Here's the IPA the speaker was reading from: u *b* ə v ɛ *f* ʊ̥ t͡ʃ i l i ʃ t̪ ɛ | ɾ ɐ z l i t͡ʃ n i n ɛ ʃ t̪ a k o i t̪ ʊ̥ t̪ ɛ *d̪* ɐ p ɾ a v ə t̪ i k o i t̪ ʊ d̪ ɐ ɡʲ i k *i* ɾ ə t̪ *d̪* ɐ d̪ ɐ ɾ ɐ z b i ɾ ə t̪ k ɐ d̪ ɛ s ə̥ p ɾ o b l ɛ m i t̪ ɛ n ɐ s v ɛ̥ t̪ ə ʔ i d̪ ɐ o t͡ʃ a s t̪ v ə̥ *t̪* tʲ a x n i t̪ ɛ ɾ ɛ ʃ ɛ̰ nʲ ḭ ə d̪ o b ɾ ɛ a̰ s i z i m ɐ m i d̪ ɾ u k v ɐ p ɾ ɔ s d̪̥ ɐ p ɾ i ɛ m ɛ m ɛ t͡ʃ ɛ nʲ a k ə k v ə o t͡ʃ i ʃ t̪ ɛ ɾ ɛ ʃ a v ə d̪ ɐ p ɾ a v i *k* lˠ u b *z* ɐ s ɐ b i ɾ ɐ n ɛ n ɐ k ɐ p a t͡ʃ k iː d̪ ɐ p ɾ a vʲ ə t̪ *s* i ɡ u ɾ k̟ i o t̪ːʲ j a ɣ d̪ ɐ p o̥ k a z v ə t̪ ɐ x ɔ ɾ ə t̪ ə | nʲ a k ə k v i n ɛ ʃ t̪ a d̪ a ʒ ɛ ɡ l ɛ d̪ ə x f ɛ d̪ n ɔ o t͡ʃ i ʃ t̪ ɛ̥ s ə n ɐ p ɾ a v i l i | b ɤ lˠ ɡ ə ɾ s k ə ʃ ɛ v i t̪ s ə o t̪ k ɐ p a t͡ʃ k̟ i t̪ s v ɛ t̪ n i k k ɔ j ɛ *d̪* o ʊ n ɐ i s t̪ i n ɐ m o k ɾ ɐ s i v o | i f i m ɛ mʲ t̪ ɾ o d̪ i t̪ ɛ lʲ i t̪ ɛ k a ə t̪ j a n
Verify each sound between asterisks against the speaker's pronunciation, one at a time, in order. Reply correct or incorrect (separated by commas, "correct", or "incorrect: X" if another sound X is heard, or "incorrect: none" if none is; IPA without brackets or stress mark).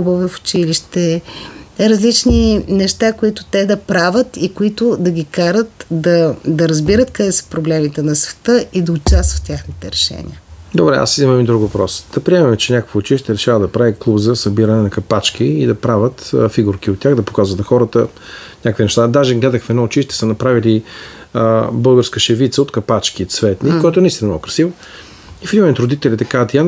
correct, correct, correct, incorrect: a, correct, correct, correct, correct, incorrect: f, incorrect: t̪